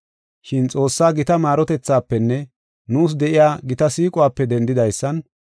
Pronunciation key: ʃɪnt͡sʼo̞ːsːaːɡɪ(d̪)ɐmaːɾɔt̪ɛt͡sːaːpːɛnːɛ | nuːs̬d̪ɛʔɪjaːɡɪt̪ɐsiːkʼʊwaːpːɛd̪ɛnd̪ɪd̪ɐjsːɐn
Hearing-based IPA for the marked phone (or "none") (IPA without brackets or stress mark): t̪